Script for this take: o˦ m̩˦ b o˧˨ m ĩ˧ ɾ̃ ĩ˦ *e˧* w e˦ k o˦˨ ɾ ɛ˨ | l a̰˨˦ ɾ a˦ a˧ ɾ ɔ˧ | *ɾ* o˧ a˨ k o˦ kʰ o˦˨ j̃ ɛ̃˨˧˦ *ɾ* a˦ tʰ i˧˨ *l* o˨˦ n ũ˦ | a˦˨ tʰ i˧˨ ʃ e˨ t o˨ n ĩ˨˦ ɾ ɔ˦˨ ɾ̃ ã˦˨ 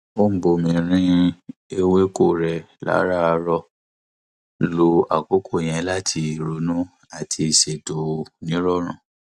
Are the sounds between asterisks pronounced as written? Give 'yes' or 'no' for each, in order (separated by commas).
yes, no, no, no